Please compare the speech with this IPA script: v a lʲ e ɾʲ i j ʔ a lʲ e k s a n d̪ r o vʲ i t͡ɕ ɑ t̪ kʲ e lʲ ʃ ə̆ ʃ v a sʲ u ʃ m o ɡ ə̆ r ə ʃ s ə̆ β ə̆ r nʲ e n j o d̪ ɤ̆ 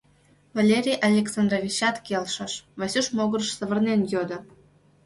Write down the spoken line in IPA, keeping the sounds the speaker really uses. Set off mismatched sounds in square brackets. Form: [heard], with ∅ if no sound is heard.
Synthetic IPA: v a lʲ e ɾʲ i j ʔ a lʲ e k s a n d̪ r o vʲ i t͡ɕ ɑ t̪ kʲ e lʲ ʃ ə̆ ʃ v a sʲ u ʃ m o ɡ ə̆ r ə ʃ s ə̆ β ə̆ r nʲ e n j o d̪ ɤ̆